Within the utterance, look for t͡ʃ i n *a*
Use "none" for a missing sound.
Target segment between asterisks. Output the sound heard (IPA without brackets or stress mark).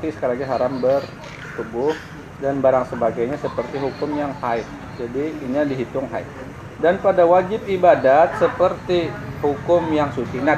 a